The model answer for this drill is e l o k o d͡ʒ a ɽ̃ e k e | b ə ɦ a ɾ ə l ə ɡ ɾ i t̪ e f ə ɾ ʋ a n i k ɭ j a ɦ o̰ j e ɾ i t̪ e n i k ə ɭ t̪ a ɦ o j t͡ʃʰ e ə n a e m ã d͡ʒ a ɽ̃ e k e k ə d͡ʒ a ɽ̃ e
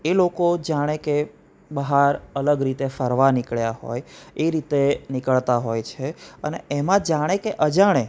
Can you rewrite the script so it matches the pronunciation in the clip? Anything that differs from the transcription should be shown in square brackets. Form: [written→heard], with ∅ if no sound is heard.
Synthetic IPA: e l o k o d͡ʒ a ɽ̃ e k e | b ə ɦ a ɾ ə l ə ɡ ɾ i t̪ e f ə ɾ ʋ a n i k ɭ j a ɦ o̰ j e ɾ i t̪ e n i k ə ɭ t̪ a ɦ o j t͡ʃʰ e ə n [a→e] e m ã d͡ʒ a ɽ̃ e k e [k→ʔ] ə d͡ʒ a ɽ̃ e

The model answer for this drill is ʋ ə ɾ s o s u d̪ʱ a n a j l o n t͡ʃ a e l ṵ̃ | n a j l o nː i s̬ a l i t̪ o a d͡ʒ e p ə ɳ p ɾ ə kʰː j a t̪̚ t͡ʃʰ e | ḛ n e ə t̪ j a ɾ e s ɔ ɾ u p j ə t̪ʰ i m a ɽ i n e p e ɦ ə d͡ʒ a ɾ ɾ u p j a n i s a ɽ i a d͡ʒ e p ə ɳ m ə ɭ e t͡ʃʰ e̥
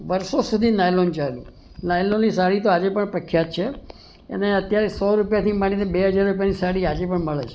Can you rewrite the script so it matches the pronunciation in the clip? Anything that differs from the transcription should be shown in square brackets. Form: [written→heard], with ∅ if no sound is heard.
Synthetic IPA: ʋ ə ɾ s o s u d̪ʱ [a→i] n a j l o n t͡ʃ a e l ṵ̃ | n a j l o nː i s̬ a [l→ɽ] i t̪ o a d͡ʒ e p ə ɳ p ɾ ə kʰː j a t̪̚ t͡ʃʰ e | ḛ n e ə t̪ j a ɾ e s ɔ ɾ u p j [ə→a] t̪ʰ i m a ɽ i n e [p→b] e ɦ ə d͡ʒ a ɾ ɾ u p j a n i s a ɽ i a d͡ʒ e p ə ɳ m ə ɭ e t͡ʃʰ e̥

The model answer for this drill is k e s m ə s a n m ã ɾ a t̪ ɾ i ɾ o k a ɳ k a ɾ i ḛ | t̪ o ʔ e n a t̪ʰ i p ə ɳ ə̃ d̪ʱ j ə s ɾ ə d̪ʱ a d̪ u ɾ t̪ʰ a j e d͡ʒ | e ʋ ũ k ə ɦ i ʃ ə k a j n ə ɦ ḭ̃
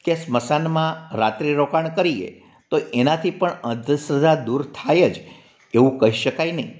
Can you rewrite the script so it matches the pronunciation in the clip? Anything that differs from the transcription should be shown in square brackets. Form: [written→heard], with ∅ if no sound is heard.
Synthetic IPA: k e s m ə s a n m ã ɾ a t̪ ɾ i ɾ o k a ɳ k [a→ə] ɾ i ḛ | t̪ o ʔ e n a t̪ʰ i p ə ɳ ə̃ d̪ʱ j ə s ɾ ə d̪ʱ a d̪ u ɾ t̪ʰ a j e d͡ʒ | e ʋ ũ k ə ɦ i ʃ ə k a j n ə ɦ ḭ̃

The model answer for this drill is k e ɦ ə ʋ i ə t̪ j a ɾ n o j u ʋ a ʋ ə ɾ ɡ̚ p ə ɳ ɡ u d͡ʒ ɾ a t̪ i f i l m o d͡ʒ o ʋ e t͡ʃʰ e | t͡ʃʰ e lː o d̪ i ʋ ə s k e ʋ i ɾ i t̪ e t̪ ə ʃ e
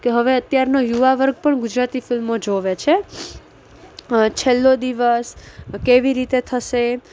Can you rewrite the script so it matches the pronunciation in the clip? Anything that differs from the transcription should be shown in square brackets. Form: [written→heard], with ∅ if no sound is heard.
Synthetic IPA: k e ɦ ə ʋ [i→e] ə t̪ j a ɾ n o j u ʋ a ʋ ə ɾ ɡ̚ p ə ɳ ɡ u d͡ʒ ɾ a t̪ i f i l m o d͡ʒ o ʋ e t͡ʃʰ e | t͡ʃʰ e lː o d̪ i ʋ ə s k e ʋ i ɾ i t̪ e [t̪→t̪ʰ] ə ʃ e

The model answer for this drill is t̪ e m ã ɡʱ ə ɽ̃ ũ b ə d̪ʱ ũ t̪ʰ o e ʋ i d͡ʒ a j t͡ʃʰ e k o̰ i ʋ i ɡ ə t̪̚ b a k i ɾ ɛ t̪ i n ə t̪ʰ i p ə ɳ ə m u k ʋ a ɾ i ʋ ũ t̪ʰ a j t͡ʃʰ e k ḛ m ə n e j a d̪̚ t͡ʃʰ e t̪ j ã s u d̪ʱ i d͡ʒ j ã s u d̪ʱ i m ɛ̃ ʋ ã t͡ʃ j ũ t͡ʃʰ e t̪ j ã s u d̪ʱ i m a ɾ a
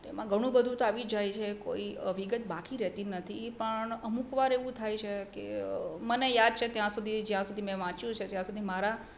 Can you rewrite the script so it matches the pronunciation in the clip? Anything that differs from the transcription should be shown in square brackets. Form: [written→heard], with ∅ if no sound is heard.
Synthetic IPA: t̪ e m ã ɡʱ ə ɽ̃ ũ b ə d̪ʱ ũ [t̪ʰ→t̪] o [e→a] ʋ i d͡ʒ a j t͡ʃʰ e k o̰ i ʋ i ɡ ə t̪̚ b a k i ɾ ɛ t̪ i n ə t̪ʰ i p ə ɳ ə m u k ʋ a ɾ [i→e] ʋ ũ t̪ʰ a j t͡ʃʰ e k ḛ m ə n e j a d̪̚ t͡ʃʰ e t̪ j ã s u d̪ʱ i d͡ʒ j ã s u d̪ʱ i m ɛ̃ ʋ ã t͡ʃ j ũ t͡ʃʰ e t̪ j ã s u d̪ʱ i m a ɾ a

